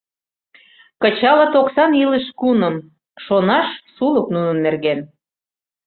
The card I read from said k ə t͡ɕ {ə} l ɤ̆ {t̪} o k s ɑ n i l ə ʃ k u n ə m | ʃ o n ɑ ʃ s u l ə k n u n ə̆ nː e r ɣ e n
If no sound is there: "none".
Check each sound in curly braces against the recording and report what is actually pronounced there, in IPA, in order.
ɑ, t̪

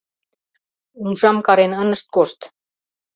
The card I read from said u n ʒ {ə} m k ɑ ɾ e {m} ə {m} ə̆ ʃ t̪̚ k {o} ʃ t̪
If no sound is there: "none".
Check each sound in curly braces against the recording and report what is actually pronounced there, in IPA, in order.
ɑ, n, n, o

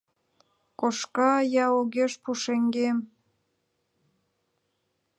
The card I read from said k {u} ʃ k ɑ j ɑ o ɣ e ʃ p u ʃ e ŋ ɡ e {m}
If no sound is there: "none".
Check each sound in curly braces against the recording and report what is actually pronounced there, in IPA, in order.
o, m

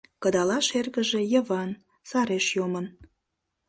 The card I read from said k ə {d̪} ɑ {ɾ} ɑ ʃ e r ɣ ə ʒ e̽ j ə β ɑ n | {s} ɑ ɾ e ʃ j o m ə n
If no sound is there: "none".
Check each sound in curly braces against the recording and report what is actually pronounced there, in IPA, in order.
d̪, l, s

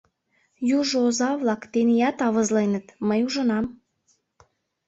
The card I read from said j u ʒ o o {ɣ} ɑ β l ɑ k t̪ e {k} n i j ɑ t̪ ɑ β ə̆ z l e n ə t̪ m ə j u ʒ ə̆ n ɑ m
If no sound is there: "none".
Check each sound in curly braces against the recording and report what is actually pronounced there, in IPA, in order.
z, none

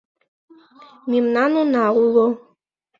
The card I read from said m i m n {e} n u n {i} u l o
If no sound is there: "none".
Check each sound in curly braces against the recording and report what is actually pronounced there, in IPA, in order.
a, a

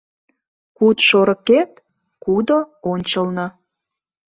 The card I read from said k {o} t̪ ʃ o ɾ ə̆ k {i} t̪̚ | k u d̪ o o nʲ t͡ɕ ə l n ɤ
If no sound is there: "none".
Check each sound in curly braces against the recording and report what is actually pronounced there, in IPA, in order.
u, e

